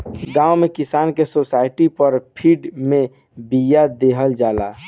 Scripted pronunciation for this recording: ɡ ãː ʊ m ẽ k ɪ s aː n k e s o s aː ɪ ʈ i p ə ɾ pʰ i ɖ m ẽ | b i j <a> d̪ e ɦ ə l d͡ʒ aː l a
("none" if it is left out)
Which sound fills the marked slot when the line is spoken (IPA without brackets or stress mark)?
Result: a